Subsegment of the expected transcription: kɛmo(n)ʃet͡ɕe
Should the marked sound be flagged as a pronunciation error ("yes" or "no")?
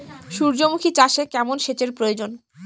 no